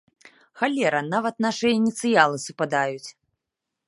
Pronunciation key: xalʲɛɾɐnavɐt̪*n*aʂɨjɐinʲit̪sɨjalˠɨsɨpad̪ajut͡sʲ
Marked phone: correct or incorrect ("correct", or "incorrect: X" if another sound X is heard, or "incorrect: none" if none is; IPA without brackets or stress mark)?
correct